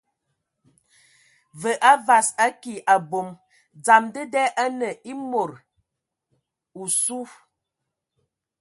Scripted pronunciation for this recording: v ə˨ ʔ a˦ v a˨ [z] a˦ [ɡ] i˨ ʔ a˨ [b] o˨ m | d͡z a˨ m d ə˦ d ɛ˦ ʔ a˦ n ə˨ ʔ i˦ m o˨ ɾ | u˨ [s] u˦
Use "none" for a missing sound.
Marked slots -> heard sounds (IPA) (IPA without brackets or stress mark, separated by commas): s, k, b, s